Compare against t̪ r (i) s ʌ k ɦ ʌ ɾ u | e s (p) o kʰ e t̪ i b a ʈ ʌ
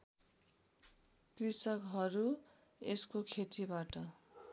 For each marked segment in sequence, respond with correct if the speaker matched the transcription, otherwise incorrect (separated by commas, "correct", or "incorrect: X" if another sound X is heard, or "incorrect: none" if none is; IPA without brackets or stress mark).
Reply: correct, incorrect: k